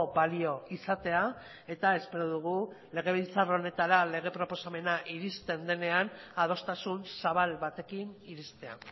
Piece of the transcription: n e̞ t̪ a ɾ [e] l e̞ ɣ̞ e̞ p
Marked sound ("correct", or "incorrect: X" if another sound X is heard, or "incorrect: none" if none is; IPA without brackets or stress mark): incorrect: a